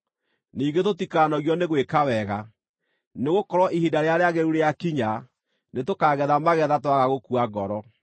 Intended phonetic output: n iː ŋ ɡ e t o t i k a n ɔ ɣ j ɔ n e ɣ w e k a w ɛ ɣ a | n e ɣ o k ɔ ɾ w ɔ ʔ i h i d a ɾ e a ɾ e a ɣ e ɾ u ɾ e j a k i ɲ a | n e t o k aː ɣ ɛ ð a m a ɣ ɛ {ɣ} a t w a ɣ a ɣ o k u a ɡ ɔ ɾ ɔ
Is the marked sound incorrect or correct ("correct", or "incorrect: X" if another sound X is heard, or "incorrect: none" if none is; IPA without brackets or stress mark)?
incorrect: ð